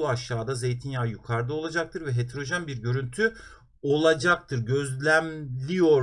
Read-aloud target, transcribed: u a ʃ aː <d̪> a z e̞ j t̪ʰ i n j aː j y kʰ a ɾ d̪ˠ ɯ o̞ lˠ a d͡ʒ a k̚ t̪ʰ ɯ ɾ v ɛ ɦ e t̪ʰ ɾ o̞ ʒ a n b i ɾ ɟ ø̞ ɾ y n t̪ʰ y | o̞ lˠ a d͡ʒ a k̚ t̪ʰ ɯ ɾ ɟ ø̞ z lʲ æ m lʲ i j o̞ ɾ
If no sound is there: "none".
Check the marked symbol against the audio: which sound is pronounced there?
d̪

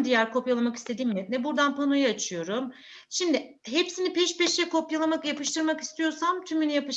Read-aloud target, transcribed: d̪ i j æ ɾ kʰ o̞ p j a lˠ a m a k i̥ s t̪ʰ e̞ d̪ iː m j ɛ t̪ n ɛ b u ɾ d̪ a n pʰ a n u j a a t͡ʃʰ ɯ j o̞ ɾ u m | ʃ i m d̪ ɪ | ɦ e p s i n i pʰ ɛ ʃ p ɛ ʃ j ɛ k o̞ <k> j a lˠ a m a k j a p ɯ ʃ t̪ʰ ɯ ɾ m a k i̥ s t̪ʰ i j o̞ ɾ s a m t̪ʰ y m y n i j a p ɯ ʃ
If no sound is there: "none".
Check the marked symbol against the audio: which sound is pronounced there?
p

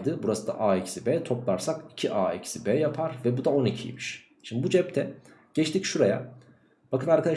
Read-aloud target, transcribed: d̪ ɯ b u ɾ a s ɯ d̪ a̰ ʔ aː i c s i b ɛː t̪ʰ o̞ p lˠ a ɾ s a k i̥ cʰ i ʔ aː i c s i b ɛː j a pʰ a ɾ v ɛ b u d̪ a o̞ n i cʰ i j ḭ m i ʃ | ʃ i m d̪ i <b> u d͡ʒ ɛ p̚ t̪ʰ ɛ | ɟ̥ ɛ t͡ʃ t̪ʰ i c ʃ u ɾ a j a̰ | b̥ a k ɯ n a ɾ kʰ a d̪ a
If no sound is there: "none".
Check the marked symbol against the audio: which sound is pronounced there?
b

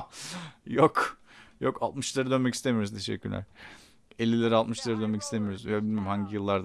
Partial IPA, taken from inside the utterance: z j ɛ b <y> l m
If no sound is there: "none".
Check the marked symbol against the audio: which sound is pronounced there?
i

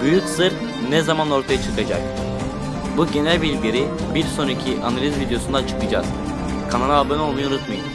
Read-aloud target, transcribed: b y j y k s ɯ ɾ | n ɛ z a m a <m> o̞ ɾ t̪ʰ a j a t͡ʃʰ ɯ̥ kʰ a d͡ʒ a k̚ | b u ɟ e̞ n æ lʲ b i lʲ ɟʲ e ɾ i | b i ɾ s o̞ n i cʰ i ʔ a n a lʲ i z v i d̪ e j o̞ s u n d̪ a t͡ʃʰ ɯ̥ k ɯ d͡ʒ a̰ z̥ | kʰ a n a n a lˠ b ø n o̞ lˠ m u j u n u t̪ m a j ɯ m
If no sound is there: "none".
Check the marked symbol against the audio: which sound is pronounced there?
n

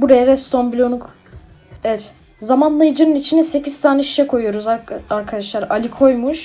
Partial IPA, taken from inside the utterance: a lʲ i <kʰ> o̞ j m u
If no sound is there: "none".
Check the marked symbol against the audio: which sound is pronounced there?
kʰ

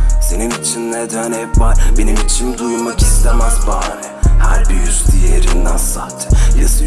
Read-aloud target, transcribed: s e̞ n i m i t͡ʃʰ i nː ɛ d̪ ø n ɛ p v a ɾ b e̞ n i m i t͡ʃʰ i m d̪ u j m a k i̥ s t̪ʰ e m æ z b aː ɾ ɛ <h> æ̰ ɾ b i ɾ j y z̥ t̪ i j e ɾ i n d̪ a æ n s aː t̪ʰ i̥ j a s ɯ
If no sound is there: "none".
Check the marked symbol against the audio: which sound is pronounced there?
h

